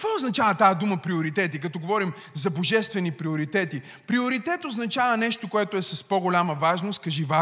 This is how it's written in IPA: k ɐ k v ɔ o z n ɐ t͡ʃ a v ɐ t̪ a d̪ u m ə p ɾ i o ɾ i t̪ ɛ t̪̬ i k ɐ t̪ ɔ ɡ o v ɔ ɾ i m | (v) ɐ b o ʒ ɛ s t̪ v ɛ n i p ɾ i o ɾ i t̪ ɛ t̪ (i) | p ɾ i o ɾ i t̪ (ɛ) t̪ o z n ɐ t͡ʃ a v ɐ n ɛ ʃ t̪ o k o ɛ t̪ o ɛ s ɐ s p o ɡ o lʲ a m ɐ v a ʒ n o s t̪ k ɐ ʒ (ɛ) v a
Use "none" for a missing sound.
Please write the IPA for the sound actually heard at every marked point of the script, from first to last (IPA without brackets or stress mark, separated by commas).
z, i, ɛ, i